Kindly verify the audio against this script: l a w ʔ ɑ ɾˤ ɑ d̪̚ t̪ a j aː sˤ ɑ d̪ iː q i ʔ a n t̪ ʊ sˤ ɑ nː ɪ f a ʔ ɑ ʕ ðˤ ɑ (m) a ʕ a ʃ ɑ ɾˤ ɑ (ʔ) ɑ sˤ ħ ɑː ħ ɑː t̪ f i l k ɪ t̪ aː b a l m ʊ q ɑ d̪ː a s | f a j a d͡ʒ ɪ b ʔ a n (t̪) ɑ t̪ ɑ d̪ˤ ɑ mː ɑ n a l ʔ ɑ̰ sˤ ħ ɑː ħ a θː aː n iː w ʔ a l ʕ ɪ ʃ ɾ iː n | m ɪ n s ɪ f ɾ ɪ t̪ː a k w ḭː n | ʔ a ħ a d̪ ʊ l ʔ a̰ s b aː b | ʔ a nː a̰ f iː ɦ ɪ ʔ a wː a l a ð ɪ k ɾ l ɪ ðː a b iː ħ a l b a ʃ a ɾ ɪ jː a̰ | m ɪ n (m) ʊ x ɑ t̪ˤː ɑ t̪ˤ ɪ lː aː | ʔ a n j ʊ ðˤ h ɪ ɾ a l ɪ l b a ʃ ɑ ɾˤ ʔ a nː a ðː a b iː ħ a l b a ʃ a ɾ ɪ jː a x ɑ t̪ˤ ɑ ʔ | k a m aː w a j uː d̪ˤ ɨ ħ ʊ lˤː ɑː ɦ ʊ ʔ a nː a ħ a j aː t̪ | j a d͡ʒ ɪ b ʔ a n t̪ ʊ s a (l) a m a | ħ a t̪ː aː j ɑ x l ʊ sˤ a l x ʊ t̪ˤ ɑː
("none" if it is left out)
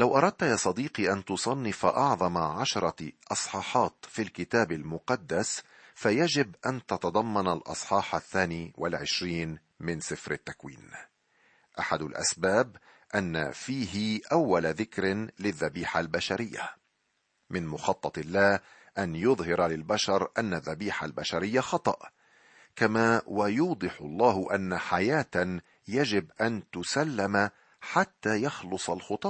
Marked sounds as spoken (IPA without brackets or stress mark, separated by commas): m, ʔ, t̪, m, lː